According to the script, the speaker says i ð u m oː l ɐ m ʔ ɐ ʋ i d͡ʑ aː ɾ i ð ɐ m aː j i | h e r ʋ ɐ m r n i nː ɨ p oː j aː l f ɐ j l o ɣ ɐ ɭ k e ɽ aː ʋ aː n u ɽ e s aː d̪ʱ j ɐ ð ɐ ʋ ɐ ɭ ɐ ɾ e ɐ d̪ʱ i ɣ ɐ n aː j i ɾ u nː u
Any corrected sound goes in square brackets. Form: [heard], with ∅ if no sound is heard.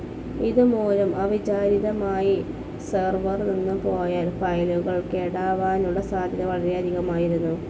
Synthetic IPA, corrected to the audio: i ð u m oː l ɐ m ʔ ɐ ʋ i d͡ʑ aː ɾ i ð ɐ m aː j i | [s] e r ʋ ɐ [∅] r n i nː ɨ p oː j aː l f ɐ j l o ɣ ɐ ɭ k e ɽ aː ʋ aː n u ɽ e s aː d̪ʱ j ɐ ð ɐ ʋ ɐ ɭ ɐ ɾ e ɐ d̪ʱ i ɣ ɐ [m] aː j i ɾ u nː u